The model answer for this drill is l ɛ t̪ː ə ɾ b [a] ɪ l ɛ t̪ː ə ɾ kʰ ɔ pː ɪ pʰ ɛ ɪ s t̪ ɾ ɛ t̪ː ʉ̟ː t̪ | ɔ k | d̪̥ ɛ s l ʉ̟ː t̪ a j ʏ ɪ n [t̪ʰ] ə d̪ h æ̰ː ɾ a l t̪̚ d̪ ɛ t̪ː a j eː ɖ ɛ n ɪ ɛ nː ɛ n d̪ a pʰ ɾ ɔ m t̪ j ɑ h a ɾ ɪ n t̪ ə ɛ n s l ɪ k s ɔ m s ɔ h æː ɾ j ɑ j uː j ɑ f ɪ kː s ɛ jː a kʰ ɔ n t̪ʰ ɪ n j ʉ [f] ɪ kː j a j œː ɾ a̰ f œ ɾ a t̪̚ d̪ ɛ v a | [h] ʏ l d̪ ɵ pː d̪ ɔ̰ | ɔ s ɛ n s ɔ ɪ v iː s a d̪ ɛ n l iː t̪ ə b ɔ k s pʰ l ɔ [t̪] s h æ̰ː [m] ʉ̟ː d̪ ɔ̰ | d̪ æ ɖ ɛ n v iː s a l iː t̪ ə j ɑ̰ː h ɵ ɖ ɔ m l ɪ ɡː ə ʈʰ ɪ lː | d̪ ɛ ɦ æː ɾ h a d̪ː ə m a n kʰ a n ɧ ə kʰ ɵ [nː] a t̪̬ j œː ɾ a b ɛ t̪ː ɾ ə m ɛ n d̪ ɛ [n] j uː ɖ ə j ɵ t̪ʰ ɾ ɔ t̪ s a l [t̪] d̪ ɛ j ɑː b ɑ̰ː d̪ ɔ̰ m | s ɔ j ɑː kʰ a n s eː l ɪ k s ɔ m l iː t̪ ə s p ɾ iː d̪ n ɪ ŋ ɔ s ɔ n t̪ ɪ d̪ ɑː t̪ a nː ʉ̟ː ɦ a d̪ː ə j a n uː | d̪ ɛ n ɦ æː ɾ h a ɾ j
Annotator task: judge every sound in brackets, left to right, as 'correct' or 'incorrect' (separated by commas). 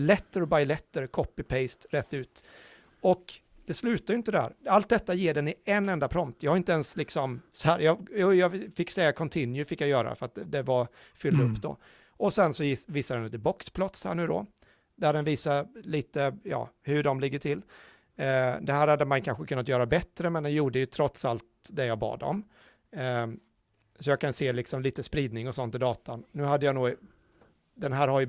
correct, incorrect, correct, incorrect, correct, incorrect, correct, correct, correct